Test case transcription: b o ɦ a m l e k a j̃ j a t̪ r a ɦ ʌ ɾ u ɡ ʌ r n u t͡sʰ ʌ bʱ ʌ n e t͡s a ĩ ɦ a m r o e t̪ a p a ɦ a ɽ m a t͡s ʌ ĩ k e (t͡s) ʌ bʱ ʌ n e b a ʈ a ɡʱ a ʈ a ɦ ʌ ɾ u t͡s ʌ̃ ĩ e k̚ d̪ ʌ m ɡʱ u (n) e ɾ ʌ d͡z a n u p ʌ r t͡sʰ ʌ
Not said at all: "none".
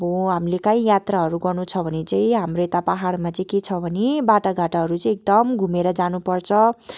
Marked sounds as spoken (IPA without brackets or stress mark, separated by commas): t͡sʰ, m